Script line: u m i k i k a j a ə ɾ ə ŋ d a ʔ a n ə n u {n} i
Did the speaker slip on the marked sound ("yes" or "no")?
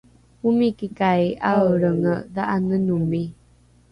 yes